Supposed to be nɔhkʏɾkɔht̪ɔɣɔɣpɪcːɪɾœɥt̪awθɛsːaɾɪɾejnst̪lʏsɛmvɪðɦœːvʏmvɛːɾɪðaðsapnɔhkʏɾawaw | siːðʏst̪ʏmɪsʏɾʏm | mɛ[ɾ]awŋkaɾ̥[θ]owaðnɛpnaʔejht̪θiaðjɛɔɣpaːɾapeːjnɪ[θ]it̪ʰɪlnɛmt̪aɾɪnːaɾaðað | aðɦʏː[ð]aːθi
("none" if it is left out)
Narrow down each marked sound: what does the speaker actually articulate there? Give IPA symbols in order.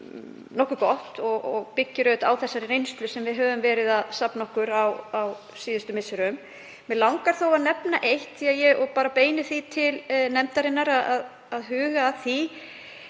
l, θ, θ, ɣ

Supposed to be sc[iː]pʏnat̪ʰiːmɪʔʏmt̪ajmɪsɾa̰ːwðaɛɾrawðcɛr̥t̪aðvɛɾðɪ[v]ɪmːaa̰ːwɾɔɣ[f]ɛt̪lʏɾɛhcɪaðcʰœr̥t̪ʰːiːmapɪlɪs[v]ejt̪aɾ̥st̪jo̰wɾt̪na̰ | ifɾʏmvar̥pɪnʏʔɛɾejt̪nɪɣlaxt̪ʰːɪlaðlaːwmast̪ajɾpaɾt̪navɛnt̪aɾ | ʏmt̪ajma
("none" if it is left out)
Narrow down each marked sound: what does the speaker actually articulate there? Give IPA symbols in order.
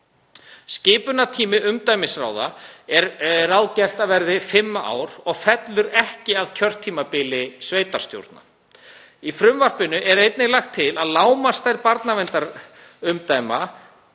ɪː, f, f, v

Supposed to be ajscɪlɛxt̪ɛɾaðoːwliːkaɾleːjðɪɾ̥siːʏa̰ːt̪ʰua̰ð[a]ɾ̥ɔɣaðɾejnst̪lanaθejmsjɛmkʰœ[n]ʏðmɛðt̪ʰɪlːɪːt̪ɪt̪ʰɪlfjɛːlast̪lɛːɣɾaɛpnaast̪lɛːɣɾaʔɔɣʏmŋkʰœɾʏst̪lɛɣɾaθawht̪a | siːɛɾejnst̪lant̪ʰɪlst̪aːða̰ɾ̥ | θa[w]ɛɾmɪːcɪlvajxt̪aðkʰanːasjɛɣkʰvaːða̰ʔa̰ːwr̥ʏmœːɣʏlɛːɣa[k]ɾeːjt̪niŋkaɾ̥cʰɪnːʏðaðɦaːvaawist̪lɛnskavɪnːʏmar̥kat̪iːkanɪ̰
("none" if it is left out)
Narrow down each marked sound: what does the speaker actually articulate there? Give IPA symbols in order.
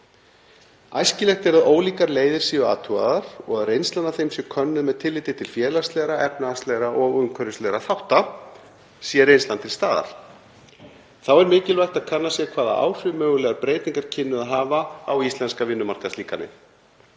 a, nː, w, p

